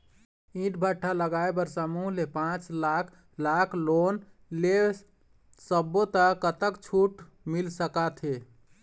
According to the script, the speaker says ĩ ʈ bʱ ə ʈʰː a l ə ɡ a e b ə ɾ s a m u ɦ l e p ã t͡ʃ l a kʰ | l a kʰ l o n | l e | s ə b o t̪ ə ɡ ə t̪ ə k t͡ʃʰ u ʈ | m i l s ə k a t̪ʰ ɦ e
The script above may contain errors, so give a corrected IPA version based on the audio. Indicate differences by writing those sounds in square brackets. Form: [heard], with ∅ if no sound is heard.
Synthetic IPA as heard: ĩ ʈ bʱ ə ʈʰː a l ə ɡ a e b ə ɾ s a m u ɦ l e p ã t͡ʃ l a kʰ | l a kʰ l o n | l e | s ə b o t̪ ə [k] ə t̪ ə k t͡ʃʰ u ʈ | m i l s ə k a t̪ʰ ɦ e